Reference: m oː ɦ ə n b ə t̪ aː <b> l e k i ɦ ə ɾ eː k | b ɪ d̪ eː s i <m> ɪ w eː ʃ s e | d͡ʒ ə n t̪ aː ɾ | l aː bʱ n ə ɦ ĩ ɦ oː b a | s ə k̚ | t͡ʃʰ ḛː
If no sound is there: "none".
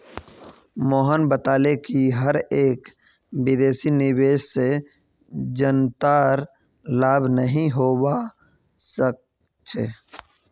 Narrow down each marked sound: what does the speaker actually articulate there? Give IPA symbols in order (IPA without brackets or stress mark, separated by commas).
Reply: none, n